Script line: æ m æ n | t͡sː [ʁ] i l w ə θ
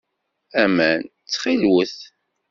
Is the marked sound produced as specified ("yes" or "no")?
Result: no